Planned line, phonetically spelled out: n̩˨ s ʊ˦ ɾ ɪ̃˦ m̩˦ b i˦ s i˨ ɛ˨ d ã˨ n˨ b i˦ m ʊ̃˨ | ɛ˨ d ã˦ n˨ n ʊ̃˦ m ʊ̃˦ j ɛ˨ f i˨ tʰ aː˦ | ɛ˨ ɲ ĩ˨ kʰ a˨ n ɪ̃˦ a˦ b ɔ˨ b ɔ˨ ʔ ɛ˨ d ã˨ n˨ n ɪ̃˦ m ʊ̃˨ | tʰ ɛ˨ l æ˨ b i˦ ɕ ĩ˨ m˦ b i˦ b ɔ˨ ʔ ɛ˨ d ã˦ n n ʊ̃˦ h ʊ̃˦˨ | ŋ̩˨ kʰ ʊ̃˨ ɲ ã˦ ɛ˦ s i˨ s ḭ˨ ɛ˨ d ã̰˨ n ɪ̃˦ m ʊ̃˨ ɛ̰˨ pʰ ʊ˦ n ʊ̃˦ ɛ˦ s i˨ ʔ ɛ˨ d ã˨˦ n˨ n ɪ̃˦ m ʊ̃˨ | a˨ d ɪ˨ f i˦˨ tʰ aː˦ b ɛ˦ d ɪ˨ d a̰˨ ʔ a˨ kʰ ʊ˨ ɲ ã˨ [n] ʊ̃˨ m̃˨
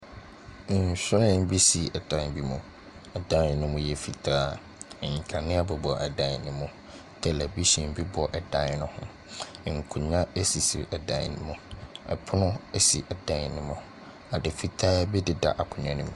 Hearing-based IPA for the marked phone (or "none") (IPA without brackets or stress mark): n